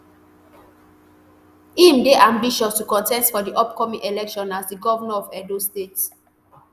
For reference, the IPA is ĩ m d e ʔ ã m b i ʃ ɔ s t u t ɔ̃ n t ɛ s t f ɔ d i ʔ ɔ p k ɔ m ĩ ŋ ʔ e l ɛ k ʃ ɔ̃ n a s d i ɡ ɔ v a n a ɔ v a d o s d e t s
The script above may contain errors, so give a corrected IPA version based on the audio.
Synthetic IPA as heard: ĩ m d e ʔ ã m b i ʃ ɔ s t u k ɔ̃ n t ɛ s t f ɔ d i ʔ ɔ p k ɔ m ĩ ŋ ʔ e l ɛ k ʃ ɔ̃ n a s d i ɡ ɔ v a n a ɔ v ɛ d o s t e t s

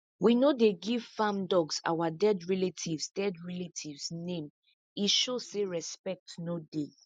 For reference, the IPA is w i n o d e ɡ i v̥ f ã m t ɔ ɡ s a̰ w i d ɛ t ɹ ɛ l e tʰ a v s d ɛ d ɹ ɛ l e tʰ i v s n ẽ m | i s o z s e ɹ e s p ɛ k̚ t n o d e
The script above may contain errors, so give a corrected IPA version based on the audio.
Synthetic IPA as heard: w i n o d e ɡ i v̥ f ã m d ɔ ɡ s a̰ w a d ɛ d ɹ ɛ l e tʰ i v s d ɛ d ɹ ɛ l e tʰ i v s n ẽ m | i ʃ o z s e ɹ ɛ s p ɛ k̚ t n o d e

